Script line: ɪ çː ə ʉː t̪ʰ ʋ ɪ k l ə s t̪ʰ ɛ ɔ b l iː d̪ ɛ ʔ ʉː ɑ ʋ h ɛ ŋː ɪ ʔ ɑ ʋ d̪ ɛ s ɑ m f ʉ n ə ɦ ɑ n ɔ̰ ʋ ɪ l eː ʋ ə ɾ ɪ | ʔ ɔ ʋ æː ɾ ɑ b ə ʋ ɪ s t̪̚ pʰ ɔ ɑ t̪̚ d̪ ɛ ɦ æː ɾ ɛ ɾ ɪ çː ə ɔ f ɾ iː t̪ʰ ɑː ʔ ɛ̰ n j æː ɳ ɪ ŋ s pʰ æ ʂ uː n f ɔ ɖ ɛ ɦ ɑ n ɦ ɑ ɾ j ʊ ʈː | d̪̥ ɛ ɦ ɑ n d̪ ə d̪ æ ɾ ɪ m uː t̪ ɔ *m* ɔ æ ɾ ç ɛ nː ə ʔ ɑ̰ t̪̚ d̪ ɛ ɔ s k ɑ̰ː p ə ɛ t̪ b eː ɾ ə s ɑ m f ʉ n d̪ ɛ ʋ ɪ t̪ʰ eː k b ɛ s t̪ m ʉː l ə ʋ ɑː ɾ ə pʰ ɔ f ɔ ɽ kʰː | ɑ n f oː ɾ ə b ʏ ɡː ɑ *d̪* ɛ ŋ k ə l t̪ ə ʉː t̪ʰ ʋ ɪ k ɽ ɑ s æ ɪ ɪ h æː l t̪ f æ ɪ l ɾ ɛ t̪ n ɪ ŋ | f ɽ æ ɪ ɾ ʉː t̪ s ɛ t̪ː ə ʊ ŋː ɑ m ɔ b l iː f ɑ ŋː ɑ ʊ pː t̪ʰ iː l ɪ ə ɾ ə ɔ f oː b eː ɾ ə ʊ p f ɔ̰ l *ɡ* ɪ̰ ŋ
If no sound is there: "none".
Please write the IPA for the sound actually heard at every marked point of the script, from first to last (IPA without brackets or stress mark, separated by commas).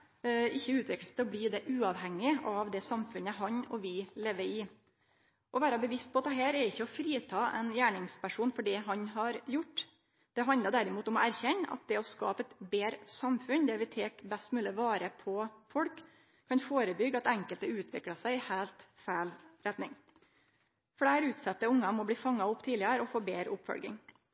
m, t̪, ɡ